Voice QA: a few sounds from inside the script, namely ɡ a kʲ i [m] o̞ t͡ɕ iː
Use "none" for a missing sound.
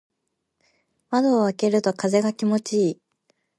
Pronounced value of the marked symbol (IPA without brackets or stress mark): m